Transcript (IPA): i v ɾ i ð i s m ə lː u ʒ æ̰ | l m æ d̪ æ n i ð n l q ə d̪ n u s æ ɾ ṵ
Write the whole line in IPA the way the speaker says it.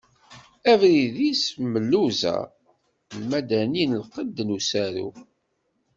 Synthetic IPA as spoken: æ v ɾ i ð i s m ə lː u z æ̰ | l m æ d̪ æ n i n l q ə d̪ n u s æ ɾ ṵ